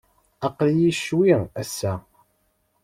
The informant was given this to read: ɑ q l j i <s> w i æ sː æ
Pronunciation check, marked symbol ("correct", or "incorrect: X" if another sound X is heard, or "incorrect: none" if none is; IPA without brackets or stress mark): incorrect: ʃ